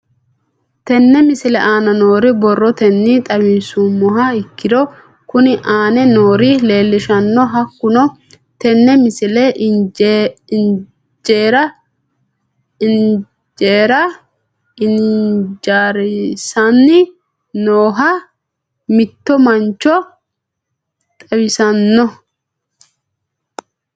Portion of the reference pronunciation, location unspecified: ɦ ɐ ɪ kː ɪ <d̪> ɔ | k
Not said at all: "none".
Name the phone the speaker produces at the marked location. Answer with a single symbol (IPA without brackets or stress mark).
d̪